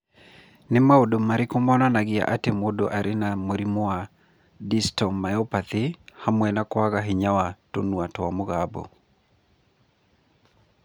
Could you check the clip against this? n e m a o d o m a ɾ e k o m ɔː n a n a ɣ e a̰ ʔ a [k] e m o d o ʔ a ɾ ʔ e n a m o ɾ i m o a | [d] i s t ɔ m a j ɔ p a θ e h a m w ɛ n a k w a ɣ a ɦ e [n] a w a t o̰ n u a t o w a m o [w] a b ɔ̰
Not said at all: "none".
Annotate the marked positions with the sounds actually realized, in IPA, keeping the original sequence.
t, d, ɲ, ɣ

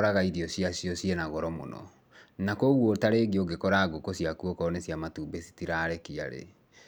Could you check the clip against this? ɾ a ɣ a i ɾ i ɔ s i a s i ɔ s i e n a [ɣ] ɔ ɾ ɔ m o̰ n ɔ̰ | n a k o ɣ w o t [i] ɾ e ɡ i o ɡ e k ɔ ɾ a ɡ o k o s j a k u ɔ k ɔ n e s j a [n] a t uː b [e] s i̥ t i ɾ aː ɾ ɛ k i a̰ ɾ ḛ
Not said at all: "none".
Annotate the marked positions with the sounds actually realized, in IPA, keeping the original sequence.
ɣ, a, m, e

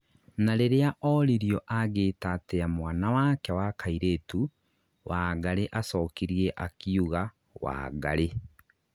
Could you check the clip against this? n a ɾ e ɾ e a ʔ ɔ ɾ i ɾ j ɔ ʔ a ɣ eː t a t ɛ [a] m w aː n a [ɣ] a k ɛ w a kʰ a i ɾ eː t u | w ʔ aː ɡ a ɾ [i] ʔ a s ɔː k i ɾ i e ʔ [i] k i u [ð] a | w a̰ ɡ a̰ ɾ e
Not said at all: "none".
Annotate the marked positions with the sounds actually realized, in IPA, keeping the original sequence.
a, w, e, a, ɣ

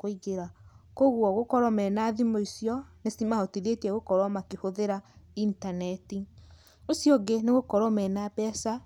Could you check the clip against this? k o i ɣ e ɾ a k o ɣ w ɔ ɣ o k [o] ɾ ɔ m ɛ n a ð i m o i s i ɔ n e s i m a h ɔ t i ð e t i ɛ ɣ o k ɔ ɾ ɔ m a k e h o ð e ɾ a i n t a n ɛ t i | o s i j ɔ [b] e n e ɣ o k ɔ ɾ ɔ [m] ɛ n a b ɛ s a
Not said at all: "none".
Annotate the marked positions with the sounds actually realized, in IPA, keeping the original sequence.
ɔ, ɡ, m

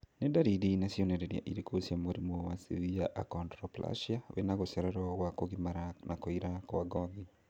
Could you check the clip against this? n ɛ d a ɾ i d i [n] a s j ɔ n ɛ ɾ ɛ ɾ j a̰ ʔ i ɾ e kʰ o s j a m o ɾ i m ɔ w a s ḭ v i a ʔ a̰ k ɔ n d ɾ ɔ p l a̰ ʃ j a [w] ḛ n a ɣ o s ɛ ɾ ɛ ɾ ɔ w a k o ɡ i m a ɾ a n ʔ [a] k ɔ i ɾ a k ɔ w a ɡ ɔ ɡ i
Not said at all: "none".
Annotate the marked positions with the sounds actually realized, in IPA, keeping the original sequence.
n, w, a

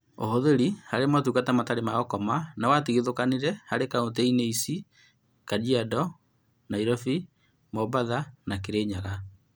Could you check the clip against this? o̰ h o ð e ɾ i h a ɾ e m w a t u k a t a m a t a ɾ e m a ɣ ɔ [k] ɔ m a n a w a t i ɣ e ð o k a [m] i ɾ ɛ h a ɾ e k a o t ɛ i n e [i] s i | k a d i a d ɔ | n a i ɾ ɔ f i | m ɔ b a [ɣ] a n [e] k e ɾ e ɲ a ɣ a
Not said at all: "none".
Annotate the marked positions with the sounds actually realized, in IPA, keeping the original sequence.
k, n, i, ð, a

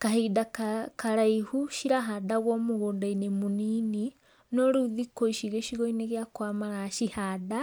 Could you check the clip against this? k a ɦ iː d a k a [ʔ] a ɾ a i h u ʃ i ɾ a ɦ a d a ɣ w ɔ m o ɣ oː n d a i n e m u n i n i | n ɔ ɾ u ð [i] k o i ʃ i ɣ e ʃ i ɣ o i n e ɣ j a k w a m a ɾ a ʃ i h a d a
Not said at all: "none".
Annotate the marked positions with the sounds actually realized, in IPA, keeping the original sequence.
k, i

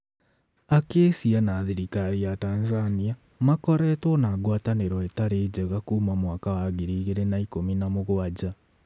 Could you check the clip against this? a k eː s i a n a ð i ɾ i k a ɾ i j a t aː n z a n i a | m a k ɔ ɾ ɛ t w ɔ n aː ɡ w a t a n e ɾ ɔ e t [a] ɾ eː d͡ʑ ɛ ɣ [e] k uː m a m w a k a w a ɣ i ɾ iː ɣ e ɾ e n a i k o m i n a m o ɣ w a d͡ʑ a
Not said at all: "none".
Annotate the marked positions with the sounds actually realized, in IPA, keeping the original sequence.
a, a

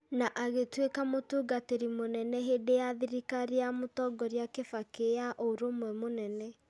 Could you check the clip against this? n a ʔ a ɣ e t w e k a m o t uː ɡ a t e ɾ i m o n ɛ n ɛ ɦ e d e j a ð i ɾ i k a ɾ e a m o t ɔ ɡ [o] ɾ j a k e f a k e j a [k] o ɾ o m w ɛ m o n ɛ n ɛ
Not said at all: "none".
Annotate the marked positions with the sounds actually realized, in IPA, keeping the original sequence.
ɔ, ʔ

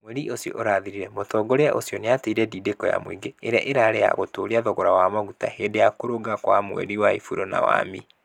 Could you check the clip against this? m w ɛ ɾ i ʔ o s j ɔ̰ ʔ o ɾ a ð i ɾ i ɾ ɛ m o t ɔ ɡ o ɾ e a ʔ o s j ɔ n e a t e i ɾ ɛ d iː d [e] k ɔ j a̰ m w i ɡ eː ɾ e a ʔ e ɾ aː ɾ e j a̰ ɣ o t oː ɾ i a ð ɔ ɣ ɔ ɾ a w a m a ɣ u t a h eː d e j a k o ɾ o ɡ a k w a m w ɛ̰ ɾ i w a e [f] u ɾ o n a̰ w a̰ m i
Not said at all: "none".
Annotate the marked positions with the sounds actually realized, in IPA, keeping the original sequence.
e, f

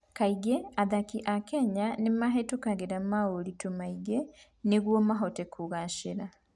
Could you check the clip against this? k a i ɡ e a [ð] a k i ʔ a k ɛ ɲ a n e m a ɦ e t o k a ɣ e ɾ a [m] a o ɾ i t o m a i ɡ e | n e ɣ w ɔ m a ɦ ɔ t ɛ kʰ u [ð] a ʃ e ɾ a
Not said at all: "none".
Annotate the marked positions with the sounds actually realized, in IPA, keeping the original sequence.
ð, m, ɣ

